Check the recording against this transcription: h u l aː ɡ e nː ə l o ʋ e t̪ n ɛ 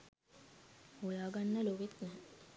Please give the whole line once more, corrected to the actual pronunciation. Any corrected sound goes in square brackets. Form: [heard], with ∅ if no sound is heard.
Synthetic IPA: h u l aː ɡ [a] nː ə l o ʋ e t̪ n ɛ